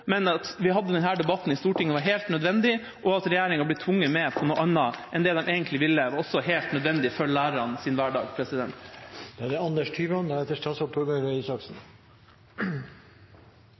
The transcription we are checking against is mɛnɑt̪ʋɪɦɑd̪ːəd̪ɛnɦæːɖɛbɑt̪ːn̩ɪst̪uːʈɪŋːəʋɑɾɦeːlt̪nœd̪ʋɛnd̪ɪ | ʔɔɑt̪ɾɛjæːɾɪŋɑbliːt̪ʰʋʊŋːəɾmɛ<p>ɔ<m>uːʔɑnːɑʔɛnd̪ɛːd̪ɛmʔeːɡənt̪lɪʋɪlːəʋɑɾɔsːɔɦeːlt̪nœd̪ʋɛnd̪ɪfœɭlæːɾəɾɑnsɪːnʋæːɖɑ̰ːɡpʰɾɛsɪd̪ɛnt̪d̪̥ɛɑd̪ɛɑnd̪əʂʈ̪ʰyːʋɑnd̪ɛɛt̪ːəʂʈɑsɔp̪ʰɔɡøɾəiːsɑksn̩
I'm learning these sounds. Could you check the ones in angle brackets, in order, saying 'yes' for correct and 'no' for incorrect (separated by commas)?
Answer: no, no